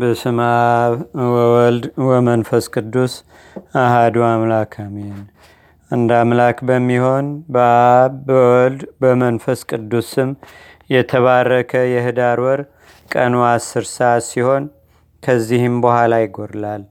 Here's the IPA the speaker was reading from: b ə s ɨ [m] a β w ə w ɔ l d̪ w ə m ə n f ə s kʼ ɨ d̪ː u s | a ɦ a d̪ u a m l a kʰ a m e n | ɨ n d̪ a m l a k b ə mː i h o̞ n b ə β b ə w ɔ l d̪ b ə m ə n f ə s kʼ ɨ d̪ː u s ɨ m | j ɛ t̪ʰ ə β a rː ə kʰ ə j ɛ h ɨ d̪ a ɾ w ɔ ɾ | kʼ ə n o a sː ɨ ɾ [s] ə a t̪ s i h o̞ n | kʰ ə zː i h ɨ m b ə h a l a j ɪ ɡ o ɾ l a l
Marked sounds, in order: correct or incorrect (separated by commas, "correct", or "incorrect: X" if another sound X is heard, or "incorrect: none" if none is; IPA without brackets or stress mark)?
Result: correct, correct